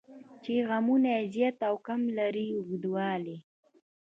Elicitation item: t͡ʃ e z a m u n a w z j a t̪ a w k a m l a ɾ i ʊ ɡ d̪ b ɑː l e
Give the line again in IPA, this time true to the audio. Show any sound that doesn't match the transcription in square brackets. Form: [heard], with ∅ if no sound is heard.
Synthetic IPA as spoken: t͡ʃ e [ɣ] a m u n a [∅] z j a t̪ a w k a m l a ɾ i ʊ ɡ d̪ [w] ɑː l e